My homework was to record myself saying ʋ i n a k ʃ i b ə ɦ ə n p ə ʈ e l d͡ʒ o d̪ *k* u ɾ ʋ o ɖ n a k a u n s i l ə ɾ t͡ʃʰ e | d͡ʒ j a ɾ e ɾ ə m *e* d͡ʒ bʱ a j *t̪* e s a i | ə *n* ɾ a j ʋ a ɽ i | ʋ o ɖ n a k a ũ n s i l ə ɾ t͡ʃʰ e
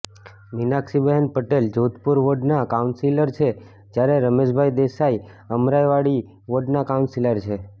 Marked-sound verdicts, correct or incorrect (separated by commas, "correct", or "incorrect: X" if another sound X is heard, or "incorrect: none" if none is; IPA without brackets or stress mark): incorrect: p, correct, incorrect: d̪, incorrect: m